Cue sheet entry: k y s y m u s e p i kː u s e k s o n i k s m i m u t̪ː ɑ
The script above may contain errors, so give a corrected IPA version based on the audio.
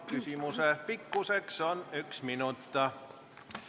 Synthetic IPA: k y s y m u s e p i kː u s e k s o n y k s m i n u t̪ː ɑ

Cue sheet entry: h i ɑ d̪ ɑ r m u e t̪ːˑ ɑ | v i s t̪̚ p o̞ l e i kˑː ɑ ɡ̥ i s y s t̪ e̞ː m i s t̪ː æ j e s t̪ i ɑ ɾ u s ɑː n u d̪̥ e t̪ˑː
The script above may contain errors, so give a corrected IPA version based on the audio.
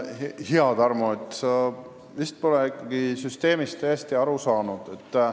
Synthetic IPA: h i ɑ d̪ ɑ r m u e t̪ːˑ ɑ | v i s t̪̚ p o̞ l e i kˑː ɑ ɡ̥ i s y s t̪ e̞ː m i s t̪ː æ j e s t̪ i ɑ ɾ u s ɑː n u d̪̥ e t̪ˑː

